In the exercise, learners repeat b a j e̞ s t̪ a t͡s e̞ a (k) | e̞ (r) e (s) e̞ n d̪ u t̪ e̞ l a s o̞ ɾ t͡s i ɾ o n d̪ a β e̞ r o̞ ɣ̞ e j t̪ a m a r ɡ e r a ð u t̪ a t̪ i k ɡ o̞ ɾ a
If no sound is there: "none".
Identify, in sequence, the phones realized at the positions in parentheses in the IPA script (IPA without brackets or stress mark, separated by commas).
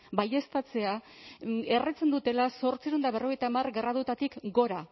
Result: none, r, t͡s